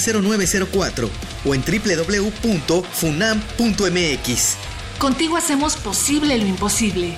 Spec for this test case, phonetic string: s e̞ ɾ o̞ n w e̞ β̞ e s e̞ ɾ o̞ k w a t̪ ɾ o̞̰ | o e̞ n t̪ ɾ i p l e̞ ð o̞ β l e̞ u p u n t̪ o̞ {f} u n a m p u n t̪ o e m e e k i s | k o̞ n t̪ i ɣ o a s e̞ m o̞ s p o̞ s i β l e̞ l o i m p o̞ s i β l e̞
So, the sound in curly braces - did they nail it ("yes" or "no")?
yes